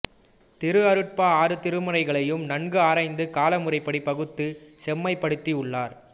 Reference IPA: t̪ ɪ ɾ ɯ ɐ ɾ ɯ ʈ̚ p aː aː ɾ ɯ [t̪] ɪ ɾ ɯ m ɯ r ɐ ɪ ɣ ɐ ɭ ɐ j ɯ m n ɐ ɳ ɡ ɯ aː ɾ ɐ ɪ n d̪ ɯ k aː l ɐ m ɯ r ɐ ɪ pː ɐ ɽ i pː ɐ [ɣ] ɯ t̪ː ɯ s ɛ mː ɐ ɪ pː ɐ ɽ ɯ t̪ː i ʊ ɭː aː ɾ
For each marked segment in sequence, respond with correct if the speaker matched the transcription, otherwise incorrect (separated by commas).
correct, correct